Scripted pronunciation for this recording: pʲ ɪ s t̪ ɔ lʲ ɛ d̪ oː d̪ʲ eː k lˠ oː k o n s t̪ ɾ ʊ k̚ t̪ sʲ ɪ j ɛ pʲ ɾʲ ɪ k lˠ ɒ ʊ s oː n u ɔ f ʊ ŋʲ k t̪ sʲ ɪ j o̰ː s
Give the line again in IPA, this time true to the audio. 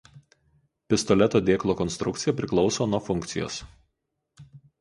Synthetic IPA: pʲ ɪ s t̪ ɔ lʲ ɛ t̪ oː d̪ʲ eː k lˠ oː k ɔ n s t̪ ɾ ʊ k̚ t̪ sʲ ɪ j ɛ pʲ ɾʲ ɪ k lˠ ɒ ʊ s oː n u ɔ f ʊ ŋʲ k t̪ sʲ ɪ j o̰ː s